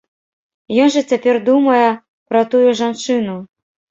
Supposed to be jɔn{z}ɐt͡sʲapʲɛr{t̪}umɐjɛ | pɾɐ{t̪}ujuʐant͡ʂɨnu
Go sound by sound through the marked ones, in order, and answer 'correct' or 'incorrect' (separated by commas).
incorrect, incorrect, correct